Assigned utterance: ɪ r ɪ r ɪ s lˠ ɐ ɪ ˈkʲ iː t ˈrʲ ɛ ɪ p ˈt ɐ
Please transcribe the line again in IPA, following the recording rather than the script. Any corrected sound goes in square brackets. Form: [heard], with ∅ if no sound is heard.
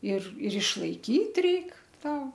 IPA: ɪ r ɪ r ɪ [ʃ] lˠ ɐ ɪ ˈkʲ iː t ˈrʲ ɛ ɪ [k] ˈt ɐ